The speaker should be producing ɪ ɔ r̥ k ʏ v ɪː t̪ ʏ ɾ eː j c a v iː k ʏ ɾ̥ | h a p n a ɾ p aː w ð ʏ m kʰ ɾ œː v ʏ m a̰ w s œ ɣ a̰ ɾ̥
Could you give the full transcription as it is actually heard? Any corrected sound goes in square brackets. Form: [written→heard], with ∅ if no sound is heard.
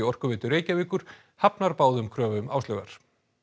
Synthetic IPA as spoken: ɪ ɔ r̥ k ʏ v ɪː t̪ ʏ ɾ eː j c a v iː k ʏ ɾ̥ | h a p n a ɾ p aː w ð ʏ m kʰ ɾ œː v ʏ m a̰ w s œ ɣ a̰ ɾ̥